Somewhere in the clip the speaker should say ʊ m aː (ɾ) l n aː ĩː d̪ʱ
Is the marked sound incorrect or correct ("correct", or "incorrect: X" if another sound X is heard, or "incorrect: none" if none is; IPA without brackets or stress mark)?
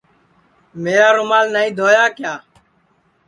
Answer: incorrect: none